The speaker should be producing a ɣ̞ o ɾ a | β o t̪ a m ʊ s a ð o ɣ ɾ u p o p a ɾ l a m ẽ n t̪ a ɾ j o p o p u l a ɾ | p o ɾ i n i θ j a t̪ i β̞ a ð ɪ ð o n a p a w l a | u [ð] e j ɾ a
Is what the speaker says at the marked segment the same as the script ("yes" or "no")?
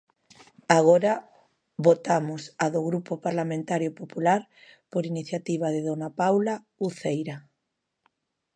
no